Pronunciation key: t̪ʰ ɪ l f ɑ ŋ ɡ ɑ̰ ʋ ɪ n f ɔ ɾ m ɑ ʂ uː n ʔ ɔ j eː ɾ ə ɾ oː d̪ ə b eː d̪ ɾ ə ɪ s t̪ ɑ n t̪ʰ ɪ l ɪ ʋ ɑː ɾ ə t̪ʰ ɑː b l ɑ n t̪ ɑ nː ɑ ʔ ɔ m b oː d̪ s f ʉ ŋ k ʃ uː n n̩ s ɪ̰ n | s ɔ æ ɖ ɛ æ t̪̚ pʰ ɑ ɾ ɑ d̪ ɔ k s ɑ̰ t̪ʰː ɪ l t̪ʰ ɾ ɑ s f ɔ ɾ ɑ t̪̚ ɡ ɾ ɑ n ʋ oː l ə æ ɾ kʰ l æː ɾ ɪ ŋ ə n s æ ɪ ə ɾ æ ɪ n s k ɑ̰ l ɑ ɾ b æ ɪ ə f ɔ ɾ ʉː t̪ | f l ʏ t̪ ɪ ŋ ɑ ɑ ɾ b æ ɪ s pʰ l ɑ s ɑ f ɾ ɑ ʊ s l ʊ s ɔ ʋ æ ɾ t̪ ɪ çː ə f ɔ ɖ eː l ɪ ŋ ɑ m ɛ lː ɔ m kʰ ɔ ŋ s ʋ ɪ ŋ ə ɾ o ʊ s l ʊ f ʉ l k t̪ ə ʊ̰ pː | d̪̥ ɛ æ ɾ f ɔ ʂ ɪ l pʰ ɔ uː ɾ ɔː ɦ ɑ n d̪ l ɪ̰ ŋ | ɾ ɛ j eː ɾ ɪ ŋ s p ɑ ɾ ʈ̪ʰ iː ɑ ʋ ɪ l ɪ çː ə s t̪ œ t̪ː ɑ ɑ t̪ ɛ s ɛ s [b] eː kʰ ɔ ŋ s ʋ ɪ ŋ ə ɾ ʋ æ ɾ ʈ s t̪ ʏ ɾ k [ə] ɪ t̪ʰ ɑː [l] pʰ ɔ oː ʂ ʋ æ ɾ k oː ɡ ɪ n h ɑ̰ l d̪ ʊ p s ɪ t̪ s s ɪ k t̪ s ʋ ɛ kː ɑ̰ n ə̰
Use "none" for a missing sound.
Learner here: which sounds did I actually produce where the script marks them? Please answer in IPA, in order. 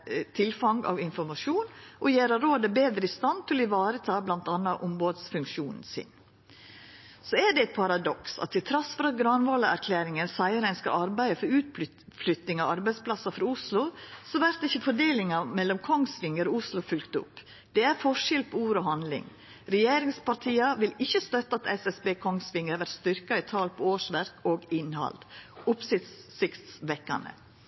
b, ɑ, l

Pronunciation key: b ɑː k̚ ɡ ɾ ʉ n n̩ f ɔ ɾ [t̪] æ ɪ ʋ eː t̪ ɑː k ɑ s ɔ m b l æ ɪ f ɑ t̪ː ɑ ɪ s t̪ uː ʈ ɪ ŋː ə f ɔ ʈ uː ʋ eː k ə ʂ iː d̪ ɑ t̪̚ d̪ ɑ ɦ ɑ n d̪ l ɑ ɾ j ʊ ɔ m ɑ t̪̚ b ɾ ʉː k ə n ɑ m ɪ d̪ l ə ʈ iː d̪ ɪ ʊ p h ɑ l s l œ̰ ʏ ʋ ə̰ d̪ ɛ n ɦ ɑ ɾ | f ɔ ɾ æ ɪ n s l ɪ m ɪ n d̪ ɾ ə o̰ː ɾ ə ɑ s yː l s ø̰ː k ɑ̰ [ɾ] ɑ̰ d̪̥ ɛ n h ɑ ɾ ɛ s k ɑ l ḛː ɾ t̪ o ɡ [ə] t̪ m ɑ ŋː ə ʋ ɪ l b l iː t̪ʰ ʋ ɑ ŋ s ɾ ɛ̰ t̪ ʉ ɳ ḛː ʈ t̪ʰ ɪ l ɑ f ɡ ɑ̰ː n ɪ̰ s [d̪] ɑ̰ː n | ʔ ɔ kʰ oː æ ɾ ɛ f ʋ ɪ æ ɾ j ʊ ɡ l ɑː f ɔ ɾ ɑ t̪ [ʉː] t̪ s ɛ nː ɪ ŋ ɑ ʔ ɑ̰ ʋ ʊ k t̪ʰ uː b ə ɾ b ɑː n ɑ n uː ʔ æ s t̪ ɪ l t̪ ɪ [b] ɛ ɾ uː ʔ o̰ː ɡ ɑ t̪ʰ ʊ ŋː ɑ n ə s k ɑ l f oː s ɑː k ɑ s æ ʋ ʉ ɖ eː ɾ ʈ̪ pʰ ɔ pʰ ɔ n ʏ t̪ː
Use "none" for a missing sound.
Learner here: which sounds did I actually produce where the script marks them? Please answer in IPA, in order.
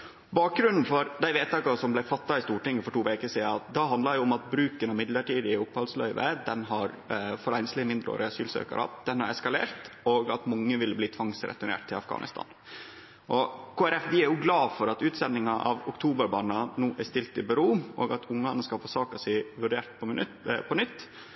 d̪, ɾ, ɑ, t̪, ʉː, b

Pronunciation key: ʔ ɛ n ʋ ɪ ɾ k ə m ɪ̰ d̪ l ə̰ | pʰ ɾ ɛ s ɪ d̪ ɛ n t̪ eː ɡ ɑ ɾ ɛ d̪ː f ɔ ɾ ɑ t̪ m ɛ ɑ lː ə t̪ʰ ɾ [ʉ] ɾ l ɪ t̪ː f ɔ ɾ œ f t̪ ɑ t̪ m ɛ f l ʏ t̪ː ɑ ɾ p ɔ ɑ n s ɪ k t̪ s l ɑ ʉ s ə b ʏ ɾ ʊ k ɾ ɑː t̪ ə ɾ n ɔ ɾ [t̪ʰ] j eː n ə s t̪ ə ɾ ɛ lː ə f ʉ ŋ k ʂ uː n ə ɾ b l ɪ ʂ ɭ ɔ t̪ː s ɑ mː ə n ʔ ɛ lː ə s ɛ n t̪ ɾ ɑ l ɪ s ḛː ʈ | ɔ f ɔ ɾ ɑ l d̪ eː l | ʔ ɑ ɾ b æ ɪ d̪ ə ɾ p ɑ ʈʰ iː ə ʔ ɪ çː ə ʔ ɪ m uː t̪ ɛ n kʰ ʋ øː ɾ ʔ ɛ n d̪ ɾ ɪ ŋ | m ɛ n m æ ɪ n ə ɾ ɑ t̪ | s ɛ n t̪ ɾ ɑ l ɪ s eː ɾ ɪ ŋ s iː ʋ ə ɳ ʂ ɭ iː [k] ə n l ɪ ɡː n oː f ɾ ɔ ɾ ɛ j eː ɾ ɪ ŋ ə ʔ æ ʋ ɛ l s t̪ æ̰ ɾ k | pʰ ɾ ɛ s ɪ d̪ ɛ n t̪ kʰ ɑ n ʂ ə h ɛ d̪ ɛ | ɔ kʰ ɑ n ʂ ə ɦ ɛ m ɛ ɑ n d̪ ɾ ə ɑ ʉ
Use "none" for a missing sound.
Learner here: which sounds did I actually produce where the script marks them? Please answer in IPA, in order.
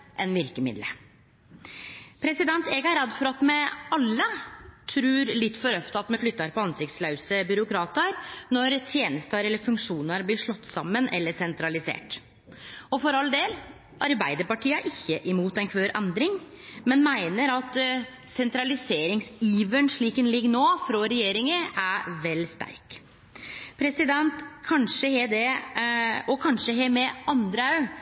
ʉː, t̪ʰ, k

